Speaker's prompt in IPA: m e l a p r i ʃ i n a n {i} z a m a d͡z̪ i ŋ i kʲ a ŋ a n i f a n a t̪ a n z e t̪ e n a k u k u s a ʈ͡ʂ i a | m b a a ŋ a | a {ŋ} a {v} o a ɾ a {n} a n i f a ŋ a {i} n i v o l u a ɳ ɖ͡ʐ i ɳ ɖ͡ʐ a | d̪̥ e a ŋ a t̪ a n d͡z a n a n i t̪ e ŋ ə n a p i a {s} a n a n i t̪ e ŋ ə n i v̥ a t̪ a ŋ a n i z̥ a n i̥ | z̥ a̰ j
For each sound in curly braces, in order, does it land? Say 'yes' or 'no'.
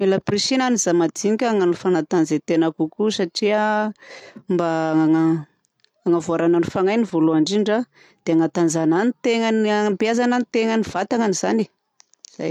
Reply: yes, yes, yes, yes, no, no

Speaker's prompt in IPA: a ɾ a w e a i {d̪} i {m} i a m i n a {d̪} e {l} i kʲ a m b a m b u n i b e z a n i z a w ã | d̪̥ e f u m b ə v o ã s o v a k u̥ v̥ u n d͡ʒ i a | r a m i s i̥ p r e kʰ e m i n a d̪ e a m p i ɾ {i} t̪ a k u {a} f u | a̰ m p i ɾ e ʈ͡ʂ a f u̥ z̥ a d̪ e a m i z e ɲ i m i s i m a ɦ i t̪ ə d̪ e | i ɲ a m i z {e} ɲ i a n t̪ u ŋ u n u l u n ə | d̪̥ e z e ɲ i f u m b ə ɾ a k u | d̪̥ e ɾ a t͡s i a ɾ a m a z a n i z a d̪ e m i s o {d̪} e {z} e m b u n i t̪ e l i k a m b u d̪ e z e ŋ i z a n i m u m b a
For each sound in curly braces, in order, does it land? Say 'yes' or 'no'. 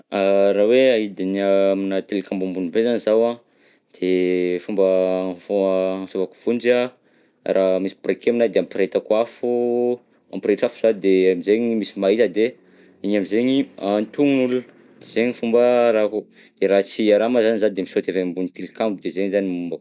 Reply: yes, no, no, yes, no, yes, yes, no, no

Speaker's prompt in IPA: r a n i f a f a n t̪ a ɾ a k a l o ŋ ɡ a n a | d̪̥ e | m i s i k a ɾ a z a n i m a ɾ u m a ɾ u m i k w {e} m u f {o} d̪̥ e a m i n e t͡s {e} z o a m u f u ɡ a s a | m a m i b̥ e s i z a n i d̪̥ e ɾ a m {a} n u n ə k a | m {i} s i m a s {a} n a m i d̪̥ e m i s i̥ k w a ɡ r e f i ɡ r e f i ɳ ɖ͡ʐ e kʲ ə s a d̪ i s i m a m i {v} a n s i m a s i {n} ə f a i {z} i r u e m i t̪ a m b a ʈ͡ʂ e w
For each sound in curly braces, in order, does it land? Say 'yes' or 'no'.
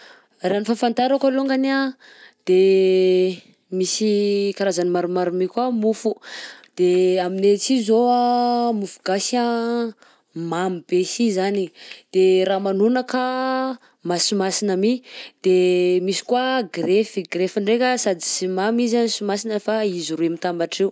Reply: no, no, no, yes, no, no, no, yes, yes

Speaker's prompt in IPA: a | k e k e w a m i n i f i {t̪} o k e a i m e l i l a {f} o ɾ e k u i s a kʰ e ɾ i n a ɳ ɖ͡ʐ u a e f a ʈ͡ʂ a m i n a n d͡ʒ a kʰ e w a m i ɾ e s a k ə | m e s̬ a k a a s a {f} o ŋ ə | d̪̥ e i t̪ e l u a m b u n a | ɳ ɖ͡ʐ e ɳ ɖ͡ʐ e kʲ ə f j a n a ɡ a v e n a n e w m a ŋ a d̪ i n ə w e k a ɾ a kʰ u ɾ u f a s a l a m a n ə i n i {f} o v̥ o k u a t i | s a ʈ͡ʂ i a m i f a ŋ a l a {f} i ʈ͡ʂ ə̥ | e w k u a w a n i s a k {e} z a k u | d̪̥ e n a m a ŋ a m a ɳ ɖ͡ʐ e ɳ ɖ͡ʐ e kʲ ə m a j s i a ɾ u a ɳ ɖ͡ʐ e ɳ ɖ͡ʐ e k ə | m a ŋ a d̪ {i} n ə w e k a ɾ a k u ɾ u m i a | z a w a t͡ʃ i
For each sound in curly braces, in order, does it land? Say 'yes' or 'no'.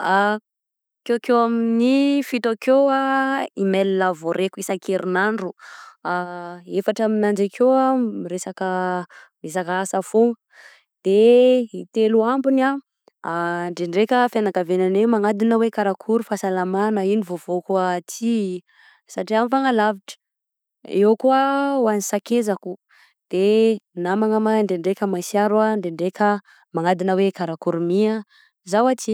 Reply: yes, no, yes, no, no, yes, yes

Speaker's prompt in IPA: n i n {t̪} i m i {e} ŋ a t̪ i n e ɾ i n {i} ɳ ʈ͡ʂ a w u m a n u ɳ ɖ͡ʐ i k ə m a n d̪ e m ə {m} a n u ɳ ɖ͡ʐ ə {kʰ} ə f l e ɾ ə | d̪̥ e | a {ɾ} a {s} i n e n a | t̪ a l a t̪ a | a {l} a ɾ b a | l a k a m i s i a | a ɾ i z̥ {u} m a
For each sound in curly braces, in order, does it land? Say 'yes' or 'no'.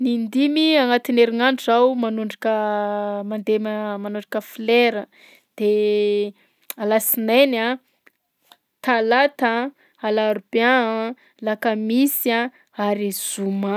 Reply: no, no, no, yes, no, no, yes, yes, yes

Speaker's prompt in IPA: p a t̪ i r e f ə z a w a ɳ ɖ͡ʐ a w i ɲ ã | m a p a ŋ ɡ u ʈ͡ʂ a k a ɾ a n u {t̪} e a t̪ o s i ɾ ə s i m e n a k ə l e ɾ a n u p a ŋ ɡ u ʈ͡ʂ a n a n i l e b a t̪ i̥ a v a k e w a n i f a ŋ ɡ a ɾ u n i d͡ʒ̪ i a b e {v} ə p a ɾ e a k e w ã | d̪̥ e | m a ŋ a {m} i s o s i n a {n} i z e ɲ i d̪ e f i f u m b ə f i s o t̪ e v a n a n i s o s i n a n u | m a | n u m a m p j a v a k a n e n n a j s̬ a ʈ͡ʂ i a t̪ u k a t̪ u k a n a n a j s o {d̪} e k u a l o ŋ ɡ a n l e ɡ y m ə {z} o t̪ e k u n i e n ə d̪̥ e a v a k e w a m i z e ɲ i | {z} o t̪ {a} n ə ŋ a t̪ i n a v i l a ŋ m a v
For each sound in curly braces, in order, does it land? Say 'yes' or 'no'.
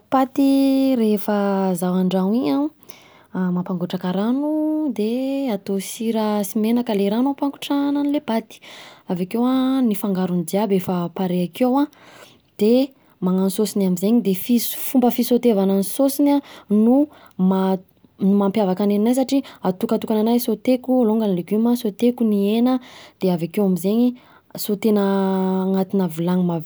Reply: no, no, no, no, no, no, no, no

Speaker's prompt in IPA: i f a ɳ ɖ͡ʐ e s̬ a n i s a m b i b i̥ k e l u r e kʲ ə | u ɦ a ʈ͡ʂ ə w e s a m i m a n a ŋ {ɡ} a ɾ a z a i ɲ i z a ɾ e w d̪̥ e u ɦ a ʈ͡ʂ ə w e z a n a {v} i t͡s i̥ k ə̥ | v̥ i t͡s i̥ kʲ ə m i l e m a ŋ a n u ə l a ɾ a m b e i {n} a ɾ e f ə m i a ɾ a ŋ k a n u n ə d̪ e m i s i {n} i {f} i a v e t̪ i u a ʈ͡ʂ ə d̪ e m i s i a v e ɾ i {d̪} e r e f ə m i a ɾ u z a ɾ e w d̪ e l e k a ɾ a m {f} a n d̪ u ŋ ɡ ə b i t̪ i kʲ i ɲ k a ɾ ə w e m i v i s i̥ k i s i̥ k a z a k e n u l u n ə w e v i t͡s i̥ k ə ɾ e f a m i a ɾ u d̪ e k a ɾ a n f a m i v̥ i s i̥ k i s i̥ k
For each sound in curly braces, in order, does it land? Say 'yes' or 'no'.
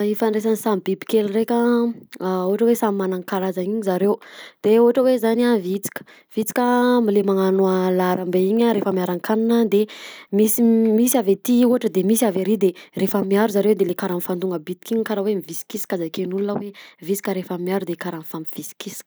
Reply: no, yes, no, no, no, yes, yes

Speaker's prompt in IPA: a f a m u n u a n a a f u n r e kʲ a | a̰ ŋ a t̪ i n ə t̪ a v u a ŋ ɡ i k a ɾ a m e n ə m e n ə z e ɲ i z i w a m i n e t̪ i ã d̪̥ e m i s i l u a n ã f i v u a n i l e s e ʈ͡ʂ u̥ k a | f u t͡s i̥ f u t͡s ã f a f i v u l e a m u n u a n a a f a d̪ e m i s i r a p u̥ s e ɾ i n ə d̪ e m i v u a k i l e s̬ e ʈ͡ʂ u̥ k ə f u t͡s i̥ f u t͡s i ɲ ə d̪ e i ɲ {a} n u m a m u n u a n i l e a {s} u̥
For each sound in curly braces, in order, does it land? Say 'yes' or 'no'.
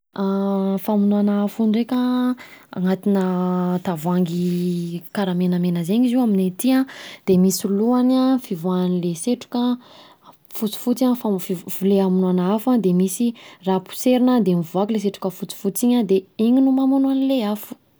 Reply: no, no

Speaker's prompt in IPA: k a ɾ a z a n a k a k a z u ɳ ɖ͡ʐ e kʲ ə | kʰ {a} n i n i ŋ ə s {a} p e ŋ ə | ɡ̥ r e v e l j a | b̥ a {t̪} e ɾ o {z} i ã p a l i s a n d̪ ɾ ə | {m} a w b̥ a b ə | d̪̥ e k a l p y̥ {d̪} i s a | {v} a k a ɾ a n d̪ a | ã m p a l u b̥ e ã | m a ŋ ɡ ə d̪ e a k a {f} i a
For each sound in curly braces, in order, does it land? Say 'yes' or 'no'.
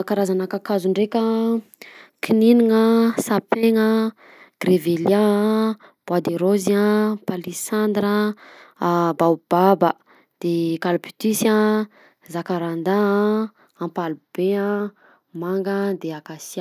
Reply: no, yes, no, yes, no, no, no, no

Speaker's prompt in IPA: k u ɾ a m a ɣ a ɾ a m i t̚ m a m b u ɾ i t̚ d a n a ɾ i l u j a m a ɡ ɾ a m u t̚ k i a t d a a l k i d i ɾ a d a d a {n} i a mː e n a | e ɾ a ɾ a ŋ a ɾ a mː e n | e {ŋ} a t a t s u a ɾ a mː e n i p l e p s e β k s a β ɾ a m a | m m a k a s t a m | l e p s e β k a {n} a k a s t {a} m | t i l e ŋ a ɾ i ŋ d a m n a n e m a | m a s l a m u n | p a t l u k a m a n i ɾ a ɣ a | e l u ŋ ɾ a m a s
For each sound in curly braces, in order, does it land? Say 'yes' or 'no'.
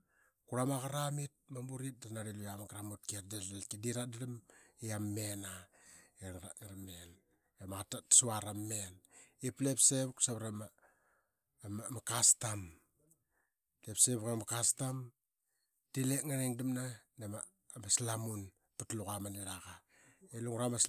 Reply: no, no, no, yes

